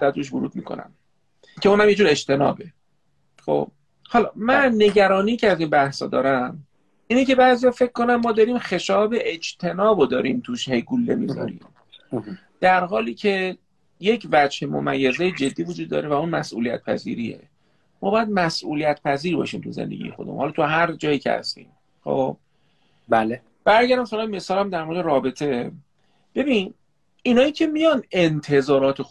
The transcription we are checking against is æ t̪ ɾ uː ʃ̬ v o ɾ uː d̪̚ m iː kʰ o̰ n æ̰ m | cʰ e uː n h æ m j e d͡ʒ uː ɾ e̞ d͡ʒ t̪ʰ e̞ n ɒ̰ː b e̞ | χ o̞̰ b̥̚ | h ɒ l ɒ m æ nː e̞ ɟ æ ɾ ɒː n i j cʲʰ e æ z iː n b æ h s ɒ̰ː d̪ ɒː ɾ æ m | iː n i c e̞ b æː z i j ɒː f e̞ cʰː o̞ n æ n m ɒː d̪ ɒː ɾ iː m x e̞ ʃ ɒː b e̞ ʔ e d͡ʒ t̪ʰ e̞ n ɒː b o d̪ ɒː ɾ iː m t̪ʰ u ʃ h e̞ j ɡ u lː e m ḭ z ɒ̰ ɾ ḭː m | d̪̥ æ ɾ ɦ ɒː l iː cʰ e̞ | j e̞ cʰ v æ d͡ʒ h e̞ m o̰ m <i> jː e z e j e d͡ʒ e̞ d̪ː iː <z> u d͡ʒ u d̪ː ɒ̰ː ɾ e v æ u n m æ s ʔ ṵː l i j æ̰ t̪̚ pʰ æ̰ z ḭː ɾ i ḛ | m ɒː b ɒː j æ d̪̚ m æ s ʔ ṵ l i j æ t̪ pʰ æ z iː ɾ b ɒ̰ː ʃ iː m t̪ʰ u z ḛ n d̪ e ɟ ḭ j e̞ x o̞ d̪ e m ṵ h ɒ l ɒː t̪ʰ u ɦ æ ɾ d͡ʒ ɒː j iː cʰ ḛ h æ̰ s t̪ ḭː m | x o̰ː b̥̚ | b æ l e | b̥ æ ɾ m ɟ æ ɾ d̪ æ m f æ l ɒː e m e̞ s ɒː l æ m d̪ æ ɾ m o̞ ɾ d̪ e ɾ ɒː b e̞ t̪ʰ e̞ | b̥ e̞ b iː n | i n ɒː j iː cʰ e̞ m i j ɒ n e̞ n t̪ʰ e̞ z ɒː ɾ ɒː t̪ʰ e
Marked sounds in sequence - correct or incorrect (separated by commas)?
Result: incorrect, incorrect